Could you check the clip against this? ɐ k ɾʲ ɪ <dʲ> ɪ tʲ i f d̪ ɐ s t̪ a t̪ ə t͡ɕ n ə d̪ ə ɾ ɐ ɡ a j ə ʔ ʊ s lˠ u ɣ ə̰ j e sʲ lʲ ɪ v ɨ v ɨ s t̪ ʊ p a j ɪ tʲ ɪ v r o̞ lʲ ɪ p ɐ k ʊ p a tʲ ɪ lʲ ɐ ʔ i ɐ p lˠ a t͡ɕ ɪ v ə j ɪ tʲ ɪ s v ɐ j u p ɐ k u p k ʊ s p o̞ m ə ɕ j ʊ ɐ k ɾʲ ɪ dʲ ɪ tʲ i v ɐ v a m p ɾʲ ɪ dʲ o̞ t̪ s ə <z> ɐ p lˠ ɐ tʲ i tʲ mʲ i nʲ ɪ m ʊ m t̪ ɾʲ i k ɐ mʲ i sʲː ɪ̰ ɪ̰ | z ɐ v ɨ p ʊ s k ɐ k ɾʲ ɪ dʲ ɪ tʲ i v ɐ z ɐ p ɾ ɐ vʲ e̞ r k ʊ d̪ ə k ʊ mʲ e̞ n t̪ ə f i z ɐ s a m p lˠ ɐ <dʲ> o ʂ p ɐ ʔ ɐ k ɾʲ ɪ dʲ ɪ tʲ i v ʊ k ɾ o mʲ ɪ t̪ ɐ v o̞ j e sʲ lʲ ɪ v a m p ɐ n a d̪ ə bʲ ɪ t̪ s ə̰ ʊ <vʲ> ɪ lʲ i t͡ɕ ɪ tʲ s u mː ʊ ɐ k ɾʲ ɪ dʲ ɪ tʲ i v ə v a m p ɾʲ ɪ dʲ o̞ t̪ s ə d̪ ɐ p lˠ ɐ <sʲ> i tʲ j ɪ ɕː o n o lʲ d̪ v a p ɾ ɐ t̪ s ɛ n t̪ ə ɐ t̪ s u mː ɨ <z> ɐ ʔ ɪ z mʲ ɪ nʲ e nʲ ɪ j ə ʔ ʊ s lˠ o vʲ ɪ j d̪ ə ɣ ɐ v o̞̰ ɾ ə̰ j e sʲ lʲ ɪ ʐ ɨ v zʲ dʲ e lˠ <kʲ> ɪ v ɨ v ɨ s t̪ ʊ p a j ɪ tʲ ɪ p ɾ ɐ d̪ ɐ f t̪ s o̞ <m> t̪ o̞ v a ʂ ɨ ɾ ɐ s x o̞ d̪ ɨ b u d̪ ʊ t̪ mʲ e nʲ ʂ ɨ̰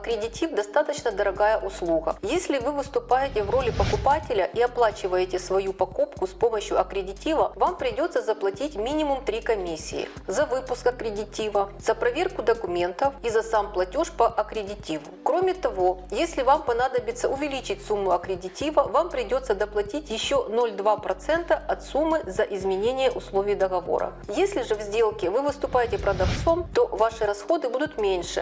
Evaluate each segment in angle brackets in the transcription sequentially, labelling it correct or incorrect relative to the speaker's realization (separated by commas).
correct, correct, incorrect, correct, incorrect, correct, correct, correct